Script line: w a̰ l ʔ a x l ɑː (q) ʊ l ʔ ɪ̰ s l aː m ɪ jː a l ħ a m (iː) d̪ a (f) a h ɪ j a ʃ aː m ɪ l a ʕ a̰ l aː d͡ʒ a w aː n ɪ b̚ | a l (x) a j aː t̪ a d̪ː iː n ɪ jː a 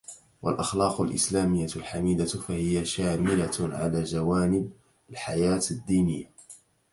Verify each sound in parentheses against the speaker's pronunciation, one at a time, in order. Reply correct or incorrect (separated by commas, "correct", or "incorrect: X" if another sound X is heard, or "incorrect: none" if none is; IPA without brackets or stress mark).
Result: correct, correct, correct, incorrect: ħ